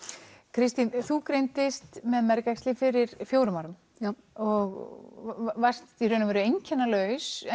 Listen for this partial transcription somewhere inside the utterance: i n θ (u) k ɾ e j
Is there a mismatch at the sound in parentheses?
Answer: no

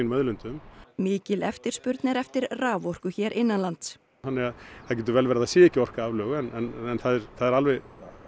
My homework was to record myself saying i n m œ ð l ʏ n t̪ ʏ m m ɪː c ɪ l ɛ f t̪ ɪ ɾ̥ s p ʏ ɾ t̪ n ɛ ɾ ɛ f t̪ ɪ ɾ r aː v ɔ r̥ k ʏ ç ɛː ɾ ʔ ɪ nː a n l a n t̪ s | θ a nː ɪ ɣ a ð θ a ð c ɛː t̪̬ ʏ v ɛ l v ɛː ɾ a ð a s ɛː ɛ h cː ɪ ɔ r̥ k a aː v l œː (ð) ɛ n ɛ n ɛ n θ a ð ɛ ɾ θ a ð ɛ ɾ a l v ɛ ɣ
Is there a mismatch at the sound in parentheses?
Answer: yes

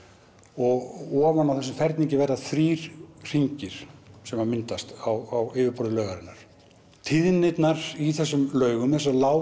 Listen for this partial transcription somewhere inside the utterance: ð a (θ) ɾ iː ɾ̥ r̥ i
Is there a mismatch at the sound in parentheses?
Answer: no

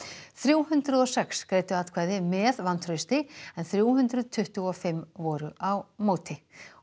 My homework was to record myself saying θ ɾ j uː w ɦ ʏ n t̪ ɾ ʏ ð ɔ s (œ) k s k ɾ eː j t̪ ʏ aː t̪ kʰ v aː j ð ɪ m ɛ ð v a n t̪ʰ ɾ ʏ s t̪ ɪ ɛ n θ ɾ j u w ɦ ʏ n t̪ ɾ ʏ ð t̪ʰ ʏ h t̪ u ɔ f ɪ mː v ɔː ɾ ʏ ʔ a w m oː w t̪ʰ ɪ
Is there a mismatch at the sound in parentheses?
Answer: yes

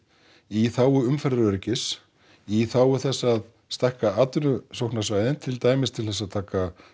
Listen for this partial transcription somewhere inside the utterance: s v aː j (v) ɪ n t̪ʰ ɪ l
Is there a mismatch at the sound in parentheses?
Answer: yes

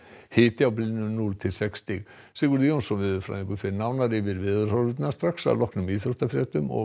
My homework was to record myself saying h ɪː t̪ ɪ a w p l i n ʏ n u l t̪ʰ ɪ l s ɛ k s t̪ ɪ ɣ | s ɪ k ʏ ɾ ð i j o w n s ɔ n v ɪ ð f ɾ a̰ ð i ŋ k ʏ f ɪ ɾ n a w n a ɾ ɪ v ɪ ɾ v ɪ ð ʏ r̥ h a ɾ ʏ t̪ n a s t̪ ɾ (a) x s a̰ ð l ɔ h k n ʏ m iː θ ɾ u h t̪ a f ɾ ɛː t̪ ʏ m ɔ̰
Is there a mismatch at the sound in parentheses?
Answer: no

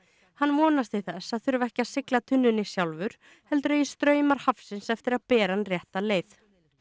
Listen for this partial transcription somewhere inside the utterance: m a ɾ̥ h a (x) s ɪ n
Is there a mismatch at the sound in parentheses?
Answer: yes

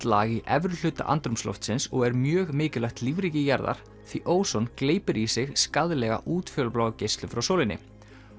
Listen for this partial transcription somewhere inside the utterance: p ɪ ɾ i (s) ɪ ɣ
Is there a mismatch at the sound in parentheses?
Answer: no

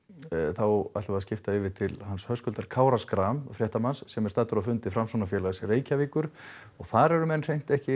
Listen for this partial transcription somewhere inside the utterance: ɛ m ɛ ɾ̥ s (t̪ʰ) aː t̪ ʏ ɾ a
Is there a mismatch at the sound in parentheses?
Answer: yes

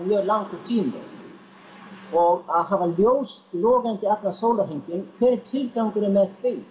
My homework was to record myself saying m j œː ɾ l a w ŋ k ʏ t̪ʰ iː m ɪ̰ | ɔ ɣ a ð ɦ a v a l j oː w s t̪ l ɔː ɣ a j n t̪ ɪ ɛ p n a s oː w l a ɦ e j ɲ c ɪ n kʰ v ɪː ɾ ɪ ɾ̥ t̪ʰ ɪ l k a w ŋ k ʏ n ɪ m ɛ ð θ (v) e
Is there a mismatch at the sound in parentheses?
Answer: no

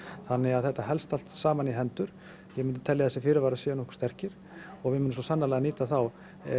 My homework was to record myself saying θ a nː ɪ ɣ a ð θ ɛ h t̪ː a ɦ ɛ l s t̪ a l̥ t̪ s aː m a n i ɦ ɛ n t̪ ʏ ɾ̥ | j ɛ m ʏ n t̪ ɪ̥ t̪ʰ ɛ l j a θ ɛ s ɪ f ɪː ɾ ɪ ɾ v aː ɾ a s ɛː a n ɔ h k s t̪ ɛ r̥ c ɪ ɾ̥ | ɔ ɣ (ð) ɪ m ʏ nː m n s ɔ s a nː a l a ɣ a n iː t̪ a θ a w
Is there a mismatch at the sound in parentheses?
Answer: yes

